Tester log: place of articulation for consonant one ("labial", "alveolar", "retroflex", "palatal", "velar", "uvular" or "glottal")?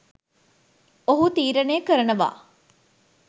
glottal